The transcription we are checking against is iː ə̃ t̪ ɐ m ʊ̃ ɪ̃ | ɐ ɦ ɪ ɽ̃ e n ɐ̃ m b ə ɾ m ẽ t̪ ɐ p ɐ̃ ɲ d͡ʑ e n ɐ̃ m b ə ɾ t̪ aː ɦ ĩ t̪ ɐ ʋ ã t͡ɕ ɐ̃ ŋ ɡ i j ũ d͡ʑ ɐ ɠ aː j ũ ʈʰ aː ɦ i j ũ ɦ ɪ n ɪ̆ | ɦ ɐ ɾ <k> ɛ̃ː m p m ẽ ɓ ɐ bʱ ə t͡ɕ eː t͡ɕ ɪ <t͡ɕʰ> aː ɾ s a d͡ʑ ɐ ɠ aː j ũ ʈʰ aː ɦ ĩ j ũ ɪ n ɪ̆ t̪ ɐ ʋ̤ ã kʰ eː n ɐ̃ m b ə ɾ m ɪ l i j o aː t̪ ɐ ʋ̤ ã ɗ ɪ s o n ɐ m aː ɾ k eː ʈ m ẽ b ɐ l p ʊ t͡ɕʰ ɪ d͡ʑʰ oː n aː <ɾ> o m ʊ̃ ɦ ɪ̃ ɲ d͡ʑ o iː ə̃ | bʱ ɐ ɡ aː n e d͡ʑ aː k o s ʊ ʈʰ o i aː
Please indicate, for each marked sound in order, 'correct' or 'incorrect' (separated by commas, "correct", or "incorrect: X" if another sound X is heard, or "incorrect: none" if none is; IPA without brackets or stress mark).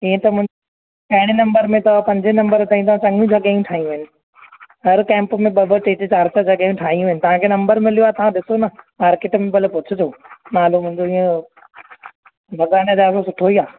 correct, incorrect: t͡ɕ, incorrect: l